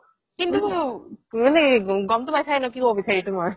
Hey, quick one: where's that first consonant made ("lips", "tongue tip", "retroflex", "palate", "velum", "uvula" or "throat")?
velum